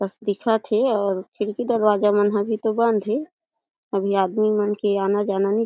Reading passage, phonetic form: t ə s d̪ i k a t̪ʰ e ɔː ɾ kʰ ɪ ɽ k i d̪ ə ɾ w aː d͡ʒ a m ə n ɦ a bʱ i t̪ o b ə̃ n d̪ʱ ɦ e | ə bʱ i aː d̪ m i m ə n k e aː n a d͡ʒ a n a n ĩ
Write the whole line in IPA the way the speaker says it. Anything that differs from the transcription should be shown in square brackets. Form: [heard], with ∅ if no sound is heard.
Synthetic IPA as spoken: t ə s d̪ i [kʰ] a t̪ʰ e ɔː ɾ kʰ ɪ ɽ k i d̪ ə ɾ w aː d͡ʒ a m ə n ɦ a bʱ i t̪ o b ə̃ n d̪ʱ ɦ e | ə bʱ i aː d̪ m i m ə n k e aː n a d͡ʒ a n a n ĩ